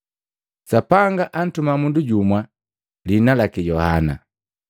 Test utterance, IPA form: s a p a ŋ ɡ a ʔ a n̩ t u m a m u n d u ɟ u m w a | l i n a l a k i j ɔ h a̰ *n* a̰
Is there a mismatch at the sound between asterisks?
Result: no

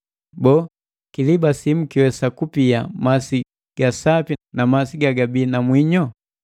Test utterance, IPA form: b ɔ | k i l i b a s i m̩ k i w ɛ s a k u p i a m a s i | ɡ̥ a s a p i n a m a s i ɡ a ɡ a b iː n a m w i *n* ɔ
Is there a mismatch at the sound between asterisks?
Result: yes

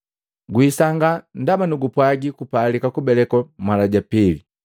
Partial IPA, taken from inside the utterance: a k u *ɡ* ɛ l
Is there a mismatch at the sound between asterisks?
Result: yes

